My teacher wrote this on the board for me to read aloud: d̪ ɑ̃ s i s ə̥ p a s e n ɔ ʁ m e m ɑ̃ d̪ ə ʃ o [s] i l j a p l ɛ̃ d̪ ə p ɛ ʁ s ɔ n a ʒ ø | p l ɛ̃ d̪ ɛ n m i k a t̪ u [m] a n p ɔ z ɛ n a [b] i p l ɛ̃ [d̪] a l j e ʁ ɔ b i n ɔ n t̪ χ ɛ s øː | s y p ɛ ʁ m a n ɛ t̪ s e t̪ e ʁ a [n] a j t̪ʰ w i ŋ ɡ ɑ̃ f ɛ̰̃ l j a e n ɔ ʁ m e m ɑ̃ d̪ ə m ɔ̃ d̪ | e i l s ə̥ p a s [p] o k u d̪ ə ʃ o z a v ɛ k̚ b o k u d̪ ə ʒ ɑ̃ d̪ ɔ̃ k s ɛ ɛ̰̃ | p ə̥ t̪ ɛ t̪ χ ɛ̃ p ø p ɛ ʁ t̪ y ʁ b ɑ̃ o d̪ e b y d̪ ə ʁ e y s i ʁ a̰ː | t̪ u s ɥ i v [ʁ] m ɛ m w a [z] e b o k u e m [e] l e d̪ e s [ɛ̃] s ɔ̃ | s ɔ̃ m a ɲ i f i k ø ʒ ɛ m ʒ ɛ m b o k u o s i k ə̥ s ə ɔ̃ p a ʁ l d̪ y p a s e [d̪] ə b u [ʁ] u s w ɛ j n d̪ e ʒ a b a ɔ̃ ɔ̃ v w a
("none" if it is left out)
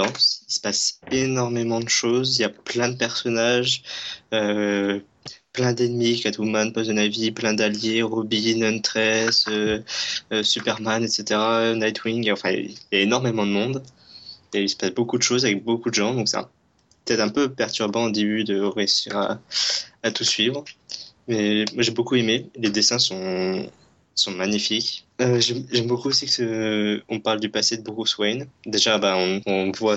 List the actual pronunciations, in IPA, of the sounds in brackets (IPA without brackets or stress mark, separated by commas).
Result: z, m, v, d̪, n, b, ʁ, ʒ, e, ɛ̃, d̪, ʁ